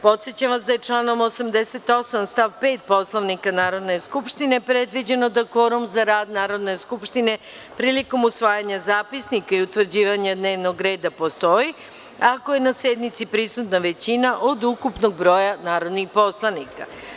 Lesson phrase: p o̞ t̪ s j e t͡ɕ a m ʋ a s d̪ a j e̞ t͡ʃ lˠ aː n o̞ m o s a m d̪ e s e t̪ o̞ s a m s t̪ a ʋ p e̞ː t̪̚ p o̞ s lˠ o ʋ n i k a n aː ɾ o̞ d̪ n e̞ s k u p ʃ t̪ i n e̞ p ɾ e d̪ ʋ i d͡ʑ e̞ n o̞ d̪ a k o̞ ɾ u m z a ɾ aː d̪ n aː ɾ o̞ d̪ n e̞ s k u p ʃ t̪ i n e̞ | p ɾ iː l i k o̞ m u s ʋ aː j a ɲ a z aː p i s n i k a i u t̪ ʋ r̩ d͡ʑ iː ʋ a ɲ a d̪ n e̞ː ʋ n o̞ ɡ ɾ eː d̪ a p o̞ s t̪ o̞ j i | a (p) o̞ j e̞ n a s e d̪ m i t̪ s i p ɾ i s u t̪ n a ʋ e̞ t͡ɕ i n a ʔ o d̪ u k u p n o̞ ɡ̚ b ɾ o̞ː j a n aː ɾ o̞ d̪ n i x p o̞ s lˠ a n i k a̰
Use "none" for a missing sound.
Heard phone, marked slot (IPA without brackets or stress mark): k